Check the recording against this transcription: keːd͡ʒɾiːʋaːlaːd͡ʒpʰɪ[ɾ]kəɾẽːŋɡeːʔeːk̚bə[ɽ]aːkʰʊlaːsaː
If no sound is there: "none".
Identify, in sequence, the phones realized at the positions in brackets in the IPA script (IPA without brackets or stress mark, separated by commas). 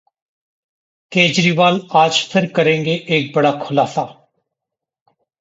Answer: ɾ, ɽ